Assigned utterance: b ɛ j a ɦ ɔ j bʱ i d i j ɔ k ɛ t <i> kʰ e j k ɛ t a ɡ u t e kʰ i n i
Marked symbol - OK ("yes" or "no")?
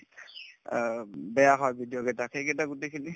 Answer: no